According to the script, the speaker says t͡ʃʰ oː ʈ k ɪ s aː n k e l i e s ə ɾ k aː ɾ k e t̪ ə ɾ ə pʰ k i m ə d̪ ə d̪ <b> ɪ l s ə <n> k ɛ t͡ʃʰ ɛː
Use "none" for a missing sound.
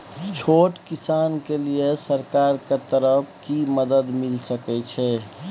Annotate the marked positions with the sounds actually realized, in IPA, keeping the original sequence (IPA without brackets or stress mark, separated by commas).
m, none